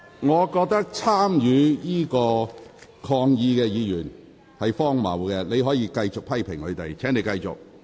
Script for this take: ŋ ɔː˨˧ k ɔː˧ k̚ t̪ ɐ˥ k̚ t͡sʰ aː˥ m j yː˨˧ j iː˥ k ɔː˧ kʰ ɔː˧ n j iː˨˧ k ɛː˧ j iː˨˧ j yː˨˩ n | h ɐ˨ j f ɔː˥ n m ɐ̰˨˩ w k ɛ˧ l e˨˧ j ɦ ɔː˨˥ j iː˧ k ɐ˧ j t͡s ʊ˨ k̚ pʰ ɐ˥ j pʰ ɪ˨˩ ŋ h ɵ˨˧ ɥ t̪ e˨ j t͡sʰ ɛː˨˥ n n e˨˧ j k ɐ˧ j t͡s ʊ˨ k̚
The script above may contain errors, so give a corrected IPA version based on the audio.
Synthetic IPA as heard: ŋ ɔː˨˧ k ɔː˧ k̚ t̪ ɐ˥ k̚ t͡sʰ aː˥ m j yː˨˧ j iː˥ k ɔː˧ kʰ ɔː˧ ŋ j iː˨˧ k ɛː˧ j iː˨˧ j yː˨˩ n | h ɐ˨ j f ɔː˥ ŋ m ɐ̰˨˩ w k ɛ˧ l e˨˧ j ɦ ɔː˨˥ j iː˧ k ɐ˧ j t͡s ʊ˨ k̚ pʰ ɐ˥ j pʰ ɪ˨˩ ŋ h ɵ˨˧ ɥ t̪ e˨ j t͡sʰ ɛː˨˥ ŋ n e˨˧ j k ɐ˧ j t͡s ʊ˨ k̚